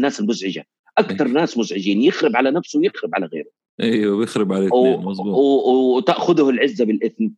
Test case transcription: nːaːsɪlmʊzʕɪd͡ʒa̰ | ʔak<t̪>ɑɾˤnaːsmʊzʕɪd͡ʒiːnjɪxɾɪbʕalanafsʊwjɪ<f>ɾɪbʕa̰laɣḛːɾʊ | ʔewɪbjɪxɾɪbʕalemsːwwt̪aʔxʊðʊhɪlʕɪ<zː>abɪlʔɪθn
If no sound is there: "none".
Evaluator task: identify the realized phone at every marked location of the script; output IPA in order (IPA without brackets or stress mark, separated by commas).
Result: t̪, x, zː